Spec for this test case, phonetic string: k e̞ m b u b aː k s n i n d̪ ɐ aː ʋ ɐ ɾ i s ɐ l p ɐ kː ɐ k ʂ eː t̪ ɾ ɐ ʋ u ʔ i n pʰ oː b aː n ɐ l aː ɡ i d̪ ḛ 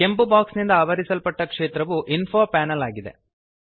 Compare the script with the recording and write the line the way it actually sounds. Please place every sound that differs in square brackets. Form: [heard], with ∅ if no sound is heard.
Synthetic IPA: k e̞ m [p] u b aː k s n i n d̪ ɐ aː ʋ ɐ ɾ i s ɐ l p ɐ [ʈː] ɐ k ʂ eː t̪ ɾ ɐ ʋ u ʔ i n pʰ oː [p] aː n ɐ l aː ɡ i d̪ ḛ